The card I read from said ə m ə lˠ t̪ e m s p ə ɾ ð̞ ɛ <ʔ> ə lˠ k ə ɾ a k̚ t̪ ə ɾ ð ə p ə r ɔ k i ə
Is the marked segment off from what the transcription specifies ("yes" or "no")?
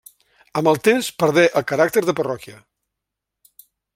no